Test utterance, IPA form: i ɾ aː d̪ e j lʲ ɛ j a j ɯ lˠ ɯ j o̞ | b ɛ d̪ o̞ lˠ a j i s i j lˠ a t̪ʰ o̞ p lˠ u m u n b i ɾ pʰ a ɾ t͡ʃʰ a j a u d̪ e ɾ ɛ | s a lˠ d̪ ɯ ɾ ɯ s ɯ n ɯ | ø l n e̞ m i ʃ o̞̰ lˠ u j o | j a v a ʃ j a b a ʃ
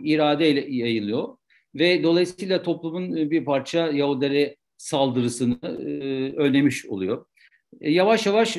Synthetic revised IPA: i ɾ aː d̪ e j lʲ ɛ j a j ɯ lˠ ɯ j o̞ | v ɛ d̪ o̞ lˠ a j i s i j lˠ a t̪ʰ o̞ p lˠ u m u n b i ɾ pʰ a ɾ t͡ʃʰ a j a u d̪ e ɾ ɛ | s a lˠ d̪ ɯ ɾ ɯ s ɯ n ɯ | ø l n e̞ m i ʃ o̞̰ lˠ u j o | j a v a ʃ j a v a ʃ